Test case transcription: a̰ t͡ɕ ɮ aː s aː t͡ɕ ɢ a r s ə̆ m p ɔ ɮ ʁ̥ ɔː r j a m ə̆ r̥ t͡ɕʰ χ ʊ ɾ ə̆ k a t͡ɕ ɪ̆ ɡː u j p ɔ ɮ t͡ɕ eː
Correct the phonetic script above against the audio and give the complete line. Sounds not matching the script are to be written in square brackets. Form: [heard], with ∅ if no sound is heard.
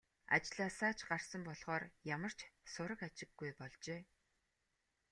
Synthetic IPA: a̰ t͡ɕ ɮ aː s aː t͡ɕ ɢ a r s ə̆ m p ɔ ɮ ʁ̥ ɔː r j a m ə̆ r̥ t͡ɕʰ [s] ʊ ɾ ə̆ k a t͡ɕ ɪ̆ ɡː u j p ɔ ɮ t͡ɕ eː